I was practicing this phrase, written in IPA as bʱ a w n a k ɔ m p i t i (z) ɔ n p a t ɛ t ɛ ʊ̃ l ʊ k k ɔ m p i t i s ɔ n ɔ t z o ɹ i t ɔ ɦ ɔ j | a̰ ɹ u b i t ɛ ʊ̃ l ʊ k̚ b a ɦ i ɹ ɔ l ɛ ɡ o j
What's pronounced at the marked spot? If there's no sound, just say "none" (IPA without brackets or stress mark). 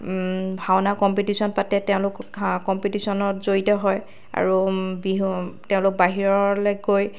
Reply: s